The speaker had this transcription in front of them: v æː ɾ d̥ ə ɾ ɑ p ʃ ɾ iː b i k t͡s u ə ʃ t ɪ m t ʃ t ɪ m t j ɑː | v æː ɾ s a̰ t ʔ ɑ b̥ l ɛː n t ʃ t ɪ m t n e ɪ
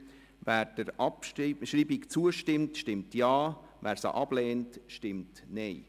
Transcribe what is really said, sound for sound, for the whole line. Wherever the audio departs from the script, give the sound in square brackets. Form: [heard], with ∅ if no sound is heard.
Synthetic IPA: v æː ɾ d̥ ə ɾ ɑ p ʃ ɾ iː b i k t͡s u ə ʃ t ɪ m t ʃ t ɪ m t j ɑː | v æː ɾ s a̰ [∅] ʔ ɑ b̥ l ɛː n t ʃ t ɪ m t n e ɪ